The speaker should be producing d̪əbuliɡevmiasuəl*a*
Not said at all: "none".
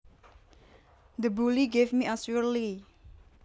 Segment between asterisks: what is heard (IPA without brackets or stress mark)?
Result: i